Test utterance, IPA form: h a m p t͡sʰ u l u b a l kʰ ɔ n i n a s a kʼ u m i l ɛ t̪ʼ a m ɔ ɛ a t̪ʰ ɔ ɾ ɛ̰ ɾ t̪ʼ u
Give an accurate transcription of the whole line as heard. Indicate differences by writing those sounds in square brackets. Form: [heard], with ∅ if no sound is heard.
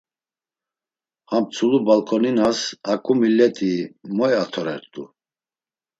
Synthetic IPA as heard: h a m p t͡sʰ u l u b a l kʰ ɔ n i n a s a kʼ u m i l ɛ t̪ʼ [i] m ɔ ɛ a t̪ʰ ɔ ɾ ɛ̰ ɾ t̪ʼ u

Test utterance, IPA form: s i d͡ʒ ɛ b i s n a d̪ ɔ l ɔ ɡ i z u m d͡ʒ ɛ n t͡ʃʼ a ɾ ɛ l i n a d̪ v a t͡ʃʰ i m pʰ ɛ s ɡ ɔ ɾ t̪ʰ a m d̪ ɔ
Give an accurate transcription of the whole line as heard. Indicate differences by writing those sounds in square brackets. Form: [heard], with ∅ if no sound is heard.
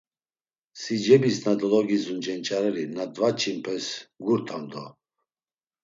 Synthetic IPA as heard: s i d͡ʒ ɛ b i s n a d̪ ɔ l ɔ ɡ i z u [n] d͡ʒ ɛ n t͡ʃʼ a ɾ ɛ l i n a d̪ v a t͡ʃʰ i m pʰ ɛ s ɡ [u] ɾ t̪ʰ a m d̪ ɔ

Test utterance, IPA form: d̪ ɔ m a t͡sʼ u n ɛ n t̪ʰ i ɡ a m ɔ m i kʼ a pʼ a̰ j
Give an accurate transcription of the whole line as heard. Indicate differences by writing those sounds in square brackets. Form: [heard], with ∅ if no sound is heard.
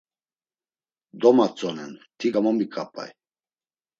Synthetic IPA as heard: d̪ ɔ m a t͡sʼ [ɔ] n ɛ n t̪ʰ i ɡ a m ɔ m i kʼ a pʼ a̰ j

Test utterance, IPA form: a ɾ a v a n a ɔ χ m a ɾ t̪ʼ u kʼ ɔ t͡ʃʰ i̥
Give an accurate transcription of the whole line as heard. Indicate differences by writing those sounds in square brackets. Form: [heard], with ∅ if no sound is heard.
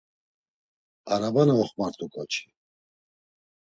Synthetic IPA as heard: a ɾ a [b] a n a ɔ χ m a ɾ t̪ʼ u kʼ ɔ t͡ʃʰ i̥

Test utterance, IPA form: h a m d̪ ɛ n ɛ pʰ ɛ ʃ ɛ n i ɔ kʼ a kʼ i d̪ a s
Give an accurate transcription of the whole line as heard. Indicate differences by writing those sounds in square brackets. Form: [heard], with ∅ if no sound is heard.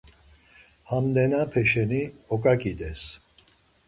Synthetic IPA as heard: h a m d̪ ɛ n [a] pʰ ɛ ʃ ɛ n i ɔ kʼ a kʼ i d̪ [ɛ] s

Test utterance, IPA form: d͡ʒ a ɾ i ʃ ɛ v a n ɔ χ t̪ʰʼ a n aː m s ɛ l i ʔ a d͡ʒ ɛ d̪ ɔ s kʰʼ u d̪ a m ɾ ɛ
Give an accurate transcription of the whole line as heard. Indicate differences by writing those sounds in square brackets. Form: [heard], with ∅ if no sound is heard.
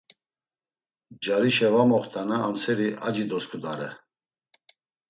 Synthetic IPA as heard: d͡ʒ a ɾ i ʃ ɛ v a [m] ɔ χ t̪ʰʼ a n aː m s ɛ [ɾ] i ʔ a d͡ʒ [i] d̪ ɔ s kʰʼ u d̪ a [∅] ɾ ɛ

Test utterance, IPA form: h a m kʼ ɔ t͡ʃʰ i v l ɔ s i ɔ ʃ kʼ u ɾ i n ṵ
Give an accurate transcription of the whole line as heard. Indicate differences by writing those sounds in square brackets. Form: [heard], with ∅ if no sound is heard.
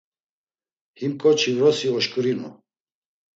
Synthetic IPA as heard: h [i] m kʼ ɔ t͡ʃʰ i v [ɾ] ɔ s i ɔ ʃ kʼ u ɾ i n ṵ

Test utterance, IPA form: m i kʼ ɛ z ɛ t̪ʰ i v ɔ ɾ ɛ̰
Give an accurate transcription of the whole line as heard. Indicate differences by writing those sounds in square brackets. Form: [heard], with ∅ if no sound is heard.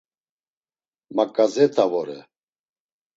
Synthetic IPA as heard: m [a] kʼ [a] z ɛ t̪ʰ [a] v ɔ ɾ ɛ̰

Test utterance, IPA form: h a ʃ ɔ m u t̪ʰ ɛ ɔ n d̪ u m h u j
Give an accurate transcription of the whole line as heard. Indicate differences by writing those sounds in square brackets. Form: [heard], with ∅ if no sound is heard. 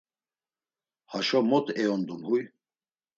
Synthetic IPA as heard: h a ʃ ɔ m [ɔ] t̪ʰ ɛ ɔ n d̪ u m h u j

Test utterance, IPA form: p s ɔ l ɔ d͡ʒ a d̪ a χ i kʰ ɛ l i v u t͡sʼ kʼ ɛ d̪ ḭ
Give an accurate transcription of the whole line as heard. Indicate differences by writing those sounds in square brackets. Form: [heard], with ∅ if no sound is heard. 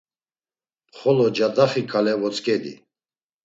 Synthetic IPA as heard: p [χ] ɔ l ɔ d͡ʒ a d̪ a χ i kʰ [a] l [ɛ] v [ɔ] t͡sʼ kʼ ɛ d̪ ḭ

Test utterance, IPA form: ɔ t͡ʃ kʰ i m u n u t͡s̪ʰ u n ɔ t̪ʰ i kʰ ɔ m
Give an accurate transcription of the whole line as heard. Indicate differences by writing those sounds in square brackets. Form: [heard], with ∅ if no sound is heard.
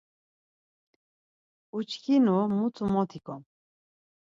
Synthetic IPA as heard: [u] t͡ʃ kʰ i [n] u [m] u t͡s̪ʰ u [m] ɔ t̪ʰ i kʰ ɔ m

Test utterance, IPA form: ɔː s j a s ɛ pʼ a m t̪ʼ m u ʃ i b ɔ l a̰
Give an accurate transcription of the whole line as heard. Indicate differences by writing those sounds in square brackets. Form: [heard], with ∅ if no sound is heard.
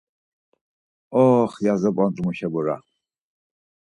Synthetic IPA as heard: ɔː [χ] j a [z] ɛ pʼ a [n] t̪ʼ m u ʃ [ɛ] b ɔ [ɾ] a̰

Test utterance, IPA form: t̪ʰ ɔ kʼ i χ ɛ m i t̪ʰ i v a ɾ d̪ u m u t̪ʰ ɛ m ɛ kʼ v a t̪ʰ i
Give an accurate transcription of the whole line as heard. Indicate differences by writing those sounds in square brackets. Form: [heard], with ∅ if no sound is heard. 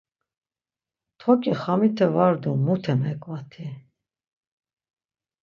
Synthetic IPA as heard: t̪ʰ ɔ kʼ i χ [a] m i t̪ʰ [ɛ] v a ɾ d̪ u m u t̪ʰ ɛ m ɛ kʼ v a t̪ʰ i

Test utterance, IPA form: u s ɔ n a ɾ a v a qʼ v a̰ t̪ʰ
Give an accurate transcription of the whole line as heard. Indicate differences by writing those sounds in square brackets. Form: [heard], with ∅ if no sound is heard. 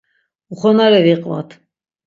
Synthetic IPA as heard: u [χ] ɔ n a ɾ [ɛ] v [i] qʼ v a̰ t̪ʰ

